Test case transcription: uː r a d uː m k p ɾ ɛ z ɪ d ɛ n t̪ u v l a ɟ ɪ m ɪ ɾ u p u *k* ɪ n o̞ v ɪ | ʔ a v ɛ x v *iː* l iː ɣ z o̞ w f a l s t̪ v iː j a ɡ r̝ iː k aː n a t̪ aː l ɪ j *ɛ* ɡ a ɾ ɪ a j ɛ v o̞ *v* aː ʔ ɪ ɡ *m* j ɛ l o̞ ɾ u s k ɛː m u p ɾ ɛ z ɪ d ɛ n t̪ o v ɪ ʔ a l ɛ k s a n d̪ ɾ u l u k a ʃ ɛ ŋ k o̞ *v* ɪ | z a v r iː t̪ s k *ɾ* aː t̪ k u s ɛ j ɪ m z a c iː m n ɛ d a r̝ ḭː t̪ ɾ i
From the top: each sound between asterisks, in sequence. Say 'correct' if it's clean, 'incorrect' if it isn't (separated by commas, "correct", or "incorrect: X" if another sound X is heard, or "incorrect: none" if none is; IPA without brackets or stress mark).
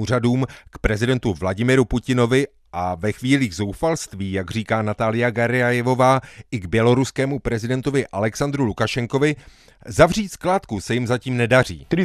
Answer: incorrect: c, correct, incorrect: a, correct, incorrect: b, correct, incorrect: l